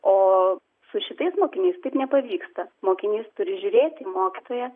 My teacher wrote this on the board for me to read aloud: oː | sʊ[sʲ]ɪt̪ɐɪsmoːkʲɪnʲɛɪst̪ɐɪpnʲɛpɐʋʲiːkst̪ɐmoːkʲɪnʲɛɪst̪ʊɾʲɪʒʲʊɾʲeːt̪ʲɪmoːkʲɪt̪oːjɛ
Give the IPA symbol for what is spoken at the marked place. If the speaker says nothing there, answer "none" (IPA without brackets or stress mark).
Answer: ʃʲ